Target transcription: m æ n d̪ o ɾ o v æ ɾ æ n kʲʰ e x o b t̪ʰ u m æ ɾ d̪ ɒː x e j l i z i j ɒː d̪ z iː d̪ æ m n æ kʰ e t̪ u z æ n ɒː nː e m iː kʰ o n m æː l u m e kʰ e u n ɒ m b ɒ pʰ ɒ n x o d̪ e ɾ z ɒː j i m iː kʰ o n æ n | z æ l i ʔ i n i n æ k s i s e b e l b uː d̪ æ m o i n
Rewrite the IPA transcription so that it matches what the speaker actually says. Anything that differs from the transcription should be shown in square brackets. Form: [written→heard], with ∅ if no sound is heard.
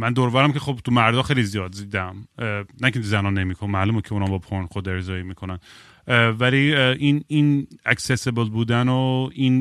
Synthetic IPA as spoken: m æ n d̪ o ɾ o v æ ɾ æ [n→m] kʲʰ e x o b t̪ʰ u m æ ɾ d̪ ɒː x e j l i z i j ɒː d̪ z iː d̪ æ m n æ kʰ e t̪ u z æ n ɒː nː e m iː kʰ o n m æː l u m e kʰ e u n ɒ m b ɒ pʰ [ɒ→o] n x o d̪ e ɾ z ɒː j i m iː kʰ o n æ n | [z→v] æ l i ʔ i n i n æ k s [i→e] s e b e l b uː d̪ æ [m→n] o i n